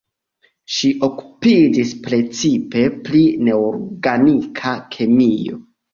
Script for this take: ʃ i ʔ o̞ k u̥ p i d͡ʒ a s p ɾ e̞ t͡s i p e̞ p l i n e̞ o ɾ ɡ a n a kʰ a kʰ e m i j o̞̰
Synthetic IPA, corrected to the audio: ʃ i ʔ o̞ k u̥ p i d͡ʒ i s p ɾ e̞ t͡s i p e̞ p l i n e̞ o ɾ ɡ a n i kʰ a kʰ e m i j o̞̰